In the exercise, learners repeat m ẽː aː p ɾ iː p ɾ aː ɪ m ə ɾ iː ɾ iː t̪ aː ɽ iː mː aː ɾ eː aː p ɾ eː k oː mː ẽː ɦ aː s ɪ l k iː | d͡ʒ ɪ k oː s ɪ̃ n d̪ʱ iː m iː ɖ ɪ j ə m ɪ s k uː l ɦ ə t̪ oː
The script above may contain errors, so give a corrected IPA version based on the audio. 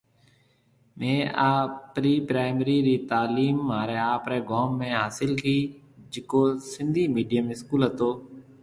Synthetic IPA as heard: m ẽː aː p ɾ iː p ɾ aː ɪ m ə ɾ iː ɾ iː t̪ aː l iː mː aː ɾ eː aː p ɾ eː ɡ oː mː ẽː ɦ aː s ɪ l k iː | d͡ʒ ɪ k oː s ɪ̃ n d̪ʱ iː m iː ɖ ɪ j ə m ɪ s k uː l ɦ ə t̪ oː